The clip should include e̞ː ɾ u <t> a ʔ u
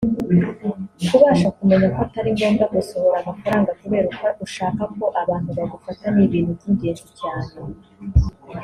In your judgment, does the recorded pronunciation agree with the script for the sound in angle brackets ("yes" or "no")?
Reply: no